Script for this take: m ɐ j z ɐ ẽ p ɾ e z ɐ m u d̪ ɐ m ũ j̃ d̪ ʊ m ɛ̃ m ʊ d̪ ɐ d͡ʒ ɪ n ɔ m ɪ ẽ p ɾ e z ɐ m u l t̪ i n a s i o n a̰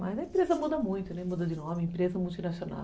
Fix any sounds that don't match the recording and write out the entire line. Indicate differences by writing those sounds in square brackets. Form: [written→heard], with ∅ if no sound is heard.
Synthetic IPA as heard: m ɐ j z ɐ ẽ p ɾ e z ɐ m u d̪ ɐ m ũ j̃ [d̪→t̪] ʊ [m→n] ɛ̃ m [ʊ→u] d̪ ɐ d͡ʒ ɪ n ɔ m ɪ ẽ p ɾ e z ɐ m u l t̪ i n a s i o n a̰